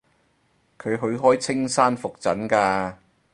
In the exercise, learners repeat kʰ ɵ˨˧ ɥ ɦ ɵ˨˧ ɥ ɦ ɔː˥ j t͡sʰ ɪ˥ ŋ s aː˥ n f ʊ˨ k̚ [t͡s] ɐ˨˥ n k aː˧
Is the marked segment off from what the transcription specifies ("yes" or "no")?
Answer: no